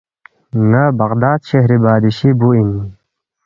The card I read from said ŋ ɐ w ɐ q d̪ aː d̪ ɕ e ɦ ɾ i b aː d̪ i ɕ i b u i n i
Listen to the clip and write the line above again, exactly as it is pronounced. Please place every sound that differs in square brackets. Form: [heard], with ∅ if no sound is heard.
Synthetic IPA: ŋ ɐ [b] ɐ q d̪ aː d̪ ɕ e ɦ ɾ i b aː d̪ i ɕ i b u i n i